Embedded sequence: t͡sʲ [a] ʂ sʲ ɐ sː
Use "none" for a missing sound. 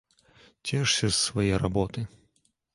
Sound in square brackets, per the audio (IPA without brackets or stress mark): ɛ